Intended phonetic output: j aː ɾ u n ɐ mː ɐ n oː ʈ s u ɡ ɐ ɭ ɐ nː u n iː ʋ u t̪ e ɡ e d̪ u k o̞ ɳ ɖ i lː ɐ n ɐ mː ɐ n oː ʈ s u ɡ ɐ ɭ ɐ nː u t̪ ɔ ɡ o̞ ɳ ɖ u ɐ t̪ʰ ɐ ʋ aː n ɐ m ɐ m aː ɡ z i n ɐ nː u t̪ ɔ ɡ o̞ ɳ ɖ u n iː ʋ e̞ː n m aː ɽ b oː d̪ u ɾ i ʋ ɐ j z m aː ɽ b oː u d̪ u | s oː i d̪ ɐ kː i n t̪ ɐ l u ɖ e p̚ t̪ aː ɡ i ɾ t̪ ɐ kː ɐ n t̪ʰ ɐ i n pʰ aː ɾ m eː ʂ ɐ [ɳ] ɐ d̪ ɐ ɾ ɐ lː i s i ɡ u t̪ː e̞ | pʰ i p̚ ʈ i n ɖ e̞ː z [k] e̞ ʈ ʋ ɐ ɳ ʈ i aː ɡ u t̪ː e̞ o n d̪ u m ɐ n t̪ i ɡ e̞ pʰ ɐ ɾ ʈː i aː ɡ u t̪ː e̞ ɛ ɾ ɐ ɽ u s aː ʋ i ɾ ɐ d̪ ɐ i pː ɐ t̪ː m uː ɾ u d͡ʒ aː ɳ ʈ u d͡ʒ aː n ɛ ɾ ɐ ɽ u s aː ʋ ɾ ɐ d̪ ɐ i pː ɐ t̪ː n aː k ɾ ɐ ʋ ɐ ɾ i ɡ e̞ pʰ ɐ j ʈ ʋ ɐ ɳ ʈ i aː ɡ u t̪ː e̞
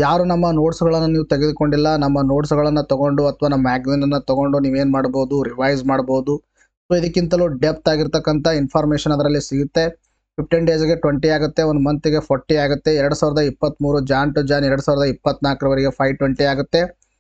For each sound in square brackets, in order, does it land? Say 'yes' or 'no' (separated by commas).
no, no